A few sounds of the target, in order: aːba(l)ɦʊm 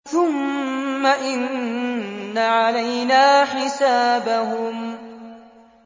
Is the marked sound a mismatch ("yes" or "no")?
yes